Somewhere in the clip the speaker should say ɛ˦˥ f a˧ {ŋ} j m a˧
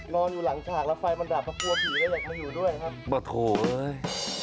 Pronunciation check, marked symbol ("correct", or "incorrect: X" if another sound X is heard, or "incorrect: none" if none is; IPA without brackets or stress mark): incorrect: none